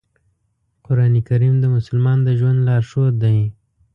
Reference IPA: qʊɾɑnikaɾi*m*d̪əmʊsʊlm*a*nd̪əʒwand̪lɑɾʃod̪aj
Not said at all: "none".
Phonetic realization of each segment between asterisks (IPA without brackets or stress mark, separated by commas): m, ɑ